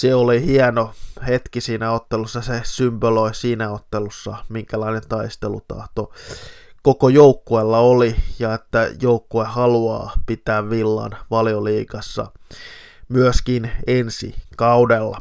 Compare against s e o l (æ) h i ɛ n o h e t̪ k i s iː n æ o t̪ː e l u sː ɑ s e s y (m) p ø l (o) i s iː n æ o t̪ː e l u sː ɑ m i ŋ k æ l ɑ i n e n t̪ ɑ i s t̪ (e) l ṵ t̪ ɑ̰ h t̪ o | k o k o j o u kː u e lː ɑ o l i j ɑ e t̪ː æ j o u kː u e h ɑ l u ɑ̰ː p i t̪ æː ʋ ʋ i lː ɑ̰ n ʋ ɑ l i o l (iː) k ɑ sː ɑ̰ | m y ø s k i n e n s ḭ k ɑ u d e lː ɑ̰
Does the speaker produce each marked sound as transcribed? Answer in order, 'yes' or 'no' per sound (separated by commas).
no, yes, yes, yes, yes